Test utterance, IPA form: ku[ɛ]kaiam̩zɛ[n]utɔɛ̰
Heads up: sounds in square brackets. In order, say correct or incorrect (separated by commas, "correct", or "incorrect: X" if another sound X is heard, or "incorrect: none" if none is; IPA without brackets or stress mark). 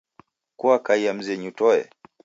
incorrect: a, incorrect: ɲ